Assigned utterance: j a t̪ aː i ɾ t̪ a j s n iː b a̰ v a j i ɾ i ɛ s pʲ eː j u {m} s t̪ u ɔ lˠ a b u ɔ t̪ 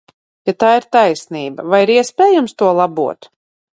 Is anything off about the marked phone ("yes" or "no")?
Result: no